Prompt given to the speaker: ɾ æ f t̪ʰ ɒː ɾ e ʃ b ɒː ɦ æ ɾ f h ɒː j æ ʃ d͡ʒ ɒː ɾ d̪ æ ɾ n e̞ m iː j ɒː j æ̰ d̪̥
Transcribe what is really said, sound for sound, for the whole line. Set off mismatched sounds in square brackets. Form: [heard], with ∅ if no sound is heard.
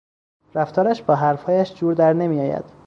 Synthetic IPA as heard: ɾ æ f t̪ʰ ɒː ɾ [æ] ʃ b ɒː ɦ æ ɾ f h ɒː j æ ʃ d͡ʒ [uː] ɾ d̪ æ ɾ n e̞ m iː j ɒː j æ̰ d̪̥